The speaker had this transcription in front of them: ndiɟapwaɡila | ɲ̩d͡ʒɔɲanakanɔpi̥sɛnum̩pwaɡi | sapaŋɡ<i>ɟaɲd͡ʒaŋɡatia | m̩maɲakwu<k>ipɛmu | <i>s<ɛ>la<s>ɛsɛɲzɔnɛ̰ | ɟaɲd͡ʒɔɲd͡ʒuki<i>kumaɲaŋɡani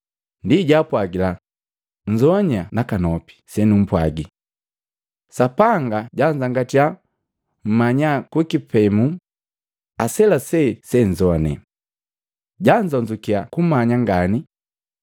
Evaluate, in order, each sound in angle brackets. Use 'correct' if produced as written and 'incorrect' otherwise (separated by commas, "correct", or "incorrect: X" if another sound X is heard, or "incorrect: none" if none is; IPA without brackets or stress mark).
incorrect: a, correct, incorrect: a, correct, correct, incorrect: a